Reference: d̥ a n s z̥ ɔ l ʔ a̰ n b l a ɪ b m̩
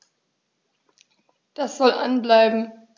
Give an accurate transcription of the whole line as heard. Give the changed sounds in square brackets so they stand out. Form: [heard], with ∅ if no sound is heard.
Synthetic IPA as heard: d̥ a [∅] s z̥ ɔ l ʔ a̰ n b l a ɪ b m̩